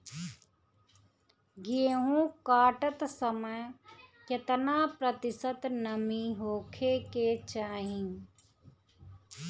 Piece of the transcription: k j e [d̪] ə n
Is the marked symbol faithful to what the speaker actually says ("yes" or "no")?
no